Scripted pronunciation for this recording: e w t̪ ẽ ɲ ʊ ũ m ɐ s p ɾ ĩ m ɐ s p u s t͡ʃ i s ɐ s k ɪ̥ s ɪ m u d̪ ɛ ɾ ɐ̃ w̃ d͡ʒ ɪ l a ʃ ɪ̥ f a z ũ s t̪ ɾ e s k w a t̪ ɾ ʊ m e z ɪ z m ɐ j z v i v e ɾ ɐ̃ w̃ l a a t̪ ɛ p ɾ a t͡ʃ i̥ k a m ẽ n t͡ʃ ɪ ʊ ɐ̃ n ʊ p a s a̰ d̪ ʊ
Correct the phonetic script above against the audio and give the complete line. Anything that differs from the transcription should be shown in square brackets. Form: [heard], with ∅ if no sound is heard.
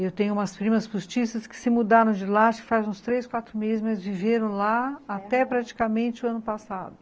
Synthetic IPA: e w t̪ ẽ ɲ ʊ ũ m ɐ s p ɾ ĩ m ɐ s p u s t͡ʃ i s ɐ s k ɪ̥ s ɪ m u d̪ [a] ɾ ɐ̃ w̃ d͡ʒ ɪ l a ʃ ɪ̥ f a z ũ s t̪ ɾ e s k w a t̪ ɾ ʊ m e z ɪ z m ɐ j z v i v e ɾ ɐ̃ w̃ l a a t̪ ɛ p ɾ a t͡ʃ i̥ k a m ẽ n t͡ʃ ɪ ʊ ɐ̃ n ʊ p a s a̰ d̪ ʊ